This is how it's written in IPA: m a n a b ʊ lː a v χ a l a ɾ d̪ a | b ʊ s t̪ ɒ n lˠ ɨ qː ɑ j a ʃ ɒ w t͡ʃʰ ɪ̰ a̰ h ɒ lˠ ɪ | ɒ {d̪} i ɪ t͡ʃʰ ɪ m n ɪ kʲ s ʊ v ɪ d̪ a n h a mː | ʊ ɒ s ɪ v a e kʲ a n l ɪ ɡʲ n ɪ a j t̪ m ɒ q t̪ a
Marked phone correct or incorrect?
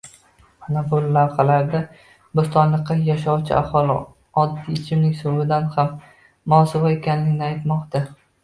incorrect